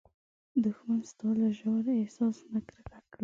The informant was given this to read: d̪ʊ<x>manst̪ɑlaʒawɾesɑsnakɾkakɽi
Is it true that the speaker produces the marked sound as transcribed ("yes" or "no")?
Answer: yes